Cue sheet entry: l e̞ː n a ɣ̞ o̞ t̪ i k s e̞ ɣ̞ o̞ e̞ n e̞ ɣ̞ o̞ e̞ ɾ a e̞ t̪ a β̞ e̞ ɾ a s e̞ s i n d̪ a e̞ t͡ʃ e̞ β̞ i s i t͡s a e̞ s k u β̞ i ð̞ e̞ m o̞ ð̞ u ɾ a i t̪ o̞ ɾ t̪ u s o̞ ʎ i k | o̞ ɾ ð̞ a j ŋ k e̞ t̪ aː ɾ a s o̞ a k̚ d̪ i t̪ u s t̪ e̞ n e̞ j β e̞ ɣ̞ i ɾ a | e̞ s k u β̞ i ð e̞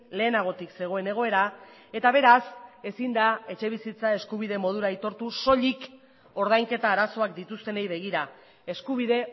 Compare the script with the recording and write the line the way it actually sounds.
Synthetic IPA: l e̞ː n a ɣ̞ o̞ t̪ i k s e̞ ɣ̞ o̞ e̞ n e̞ ɣ̞ o̞ e̞ ɾ a e̞ t̪ a β̞ e̞ ɾ a s e̞ s i n d̪ a e̞ t͡ʃ e̞ β̞ i s i t͡s a e̞ s k u β̞ i ð̞ e̞ m o̞ ð̞ u ɾ a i t̪ o̞ ɾ t̪ u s o̞ ʎ i k | o̞ ɾ ð̞ a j ŋ k e̞ t̪ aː ɾ a s o̞ a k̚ d̪ i t̪ u s t̪ e̞ n e̞ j β e̞ ɣ̞ i ɾ a | e̞ s k u β̞ i ð e̞